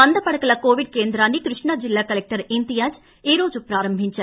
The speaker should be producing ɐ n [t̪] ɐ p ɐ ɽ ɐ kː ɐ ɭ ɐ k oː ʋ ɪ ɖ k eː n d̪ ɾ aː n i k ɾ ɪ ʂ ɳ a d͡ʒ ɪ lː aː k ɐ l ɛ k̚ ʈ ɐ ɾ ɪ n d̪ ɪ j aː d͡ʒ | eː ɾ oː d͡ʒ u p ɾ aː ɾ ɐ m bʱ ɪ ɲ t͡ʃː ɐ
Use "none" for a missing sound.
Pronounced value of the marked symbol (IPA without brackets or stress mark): d̪